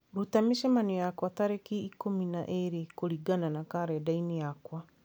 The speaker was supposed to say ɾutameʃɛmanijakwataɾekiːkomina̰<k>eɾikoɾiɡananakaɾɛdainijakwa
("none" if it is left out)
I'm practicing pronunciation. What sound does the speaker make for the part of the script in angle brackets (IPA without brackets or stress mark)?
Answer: ʔ